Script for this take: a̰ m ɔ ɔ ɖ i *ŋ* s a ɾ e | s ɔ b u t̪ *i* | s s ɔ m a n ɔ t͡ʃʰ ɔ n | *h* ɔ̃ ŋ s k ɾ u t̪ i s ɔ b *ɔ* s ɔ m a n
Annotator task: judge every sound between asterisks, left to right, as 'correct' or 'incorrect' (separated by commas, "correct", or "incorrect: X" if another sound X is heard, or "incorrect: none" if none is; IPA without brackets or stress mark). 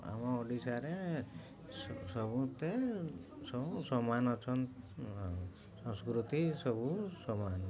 incorrect: none, incorrect: e, incorrect: s, incorrect: u